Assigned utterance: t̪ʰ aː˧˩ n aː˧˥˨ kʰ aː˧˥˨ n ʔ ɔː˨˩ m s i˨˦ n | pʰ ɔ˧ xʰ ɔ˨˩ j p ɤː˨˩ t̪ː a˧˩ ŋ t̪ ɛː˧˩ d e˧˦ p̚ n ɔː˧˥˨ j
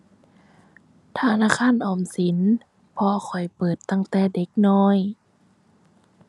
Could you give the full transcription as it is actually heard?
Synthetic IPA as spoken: t̪ʰ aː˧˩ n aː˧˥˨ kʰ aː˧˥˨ n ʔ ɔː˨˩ m s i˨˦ n | pʰ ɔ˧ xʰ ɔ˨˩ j p ɤː˨˩ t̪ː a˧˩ ŋ t̪ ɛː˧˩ d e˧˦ k̚ n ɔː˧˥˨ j